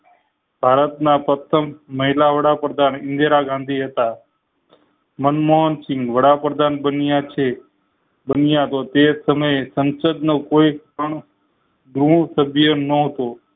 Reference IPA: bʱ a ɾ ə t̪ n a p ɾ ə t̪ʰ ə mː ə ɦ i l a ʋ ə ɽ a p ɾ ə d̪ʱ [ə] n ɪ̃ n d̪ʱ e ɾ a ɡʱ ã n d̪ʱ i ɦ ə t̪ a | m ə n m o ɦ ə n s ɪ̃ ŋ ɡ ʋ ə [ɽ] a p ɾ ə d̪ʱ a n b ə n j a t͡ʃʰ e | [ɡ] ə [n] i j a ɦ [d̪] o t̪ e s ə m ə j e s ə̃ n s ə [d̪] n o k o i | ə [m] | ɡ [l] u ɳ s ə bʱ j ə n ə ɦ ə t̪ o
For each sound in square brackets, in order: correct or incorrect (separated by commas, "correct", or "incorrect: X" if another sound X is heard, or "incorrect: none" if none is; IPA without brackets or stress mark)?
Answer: incorrect: a, correct, incorrect: b, correct, incorrect: t̪, correct, incorrect: ɳ, incorrect: ɾ